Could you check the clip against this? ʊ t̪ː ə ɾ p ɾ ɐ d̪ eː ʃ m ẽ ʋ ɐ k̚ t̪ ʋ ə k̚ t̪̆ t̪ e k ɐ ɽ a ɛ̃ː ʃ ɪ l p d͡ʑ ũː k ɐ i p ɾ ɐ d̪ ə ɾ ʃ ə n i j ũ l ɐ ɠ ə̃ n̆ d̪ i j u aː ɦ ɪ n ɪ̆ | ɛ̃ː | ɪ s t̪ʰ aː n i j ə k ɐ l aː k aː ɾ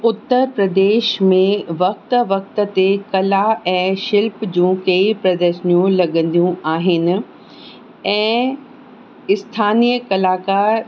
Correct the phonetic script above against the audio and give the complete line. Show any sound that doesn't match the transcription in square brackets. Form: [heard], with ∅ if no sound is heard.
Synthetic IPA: ʊ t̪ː ə ɾ p ɾ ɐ d̪ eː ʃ m ẽ ʋ ɐ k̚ t̪ ʋ [ɐ] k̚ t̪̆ t̪ e k ɐ [l] a ɛ̃ː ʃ ɪ l p d͡ʑ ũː k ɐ i p ɾ ɐ d̪ ə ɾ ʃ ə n i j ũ l ɐ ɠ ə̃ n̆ d̪ i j [ũ] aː ɦ ɪ n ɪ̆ | ɛ̃ː | ɪ s t̪ʰ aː n i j ə k ɐ l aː k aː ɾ